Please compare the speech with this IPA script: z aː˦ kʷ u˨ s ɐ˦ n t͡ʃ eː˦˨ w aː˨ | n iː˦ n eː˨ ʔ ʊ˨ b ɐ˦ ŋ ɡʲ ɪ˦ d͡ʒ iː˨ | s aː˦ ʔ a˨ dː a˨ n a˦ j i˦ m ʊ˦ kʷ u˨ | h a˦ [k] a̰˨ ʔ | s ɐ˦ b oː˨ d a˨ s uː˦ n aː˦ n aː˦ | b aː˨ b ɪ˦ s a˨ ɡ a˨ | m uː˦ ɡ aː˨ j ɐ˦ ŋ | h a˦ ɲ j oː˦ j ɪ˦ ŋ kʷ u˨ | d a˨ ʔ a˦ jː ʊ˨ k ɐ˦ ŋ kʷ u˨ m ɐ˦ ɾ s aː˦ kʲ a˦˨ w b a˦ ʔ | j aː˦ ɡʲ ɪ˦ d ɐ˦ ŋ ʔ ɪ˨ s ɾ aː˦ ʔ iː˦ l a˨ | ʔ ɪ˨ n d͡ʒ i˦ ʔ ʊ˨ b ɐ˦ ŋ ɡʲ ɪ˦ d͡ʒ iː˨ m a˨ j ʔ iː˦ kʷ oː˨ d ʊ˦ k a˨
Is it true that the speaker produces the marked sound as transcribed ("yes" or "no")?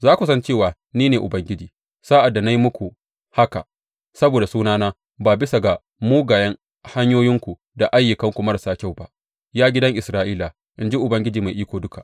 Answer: yes